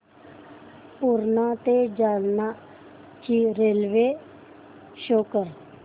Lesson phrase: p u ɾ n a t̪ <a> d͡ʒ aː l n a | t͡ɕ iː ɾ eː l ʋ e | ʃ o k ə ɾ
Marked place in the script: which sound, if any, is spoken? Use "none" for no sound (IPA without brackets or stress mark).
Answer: e